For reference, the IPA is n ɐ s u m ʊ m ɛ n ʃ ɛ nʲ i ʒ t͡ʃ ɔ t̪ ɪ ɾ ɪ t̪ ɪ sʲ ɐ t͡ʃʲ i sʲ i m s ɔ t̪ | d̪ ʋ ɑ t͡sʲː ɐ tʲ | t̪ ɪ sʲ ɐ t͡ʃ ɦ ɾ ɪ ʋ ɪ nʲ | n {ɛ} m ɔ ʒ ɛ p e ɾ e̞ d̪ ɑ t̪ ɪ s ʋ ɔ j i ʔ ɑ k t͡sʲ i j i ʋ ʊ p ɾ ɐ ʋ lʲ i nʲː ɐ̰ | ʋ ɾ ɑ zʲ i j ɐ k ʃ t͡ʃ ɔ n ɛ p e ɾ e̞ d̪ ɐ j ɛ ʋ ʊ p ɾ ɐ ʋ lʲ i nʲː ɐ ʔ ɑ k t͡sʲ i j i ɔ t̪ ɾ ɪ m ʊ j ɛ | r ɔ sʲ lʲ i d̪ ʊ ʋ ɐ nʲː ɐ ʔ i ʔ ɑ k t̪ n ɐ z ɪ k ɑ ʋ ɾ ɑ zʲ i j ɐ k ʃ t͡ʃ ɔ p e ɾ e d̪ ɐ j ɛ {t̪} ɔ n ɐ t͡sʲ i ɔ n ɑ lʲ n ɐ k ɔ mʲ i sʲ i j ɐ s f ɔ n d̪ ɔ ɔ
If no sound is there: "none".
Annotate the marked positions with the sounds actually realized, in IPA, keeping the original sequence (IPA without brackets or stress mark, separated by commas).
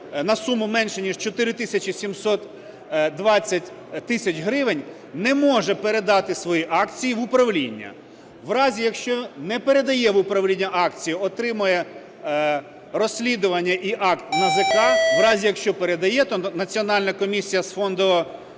ɛ, t̪